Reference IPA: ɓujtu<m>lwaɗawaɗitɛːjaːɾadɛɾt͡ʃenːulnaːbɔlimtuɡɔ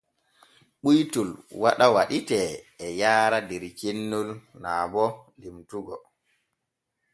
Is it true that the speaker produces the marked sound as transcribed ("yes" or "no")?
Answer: no